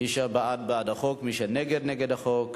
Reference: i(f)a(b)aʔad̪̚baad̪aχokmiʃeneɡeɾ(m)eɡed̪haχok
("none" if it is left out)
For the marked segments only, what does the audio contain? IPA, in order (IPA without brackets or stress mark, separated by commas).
ʃ, b, n